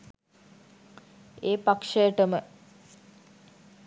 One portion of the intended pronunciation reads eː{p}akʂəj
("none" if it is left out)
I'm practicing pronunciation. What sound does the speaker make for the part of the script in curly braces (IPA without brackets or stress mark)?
p